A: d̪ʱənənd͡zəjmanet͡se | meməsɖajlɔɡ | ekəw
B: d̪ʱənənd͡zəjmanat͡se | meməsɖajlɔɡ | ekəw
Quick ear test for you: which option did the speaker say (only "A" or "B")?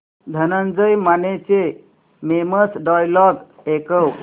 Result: A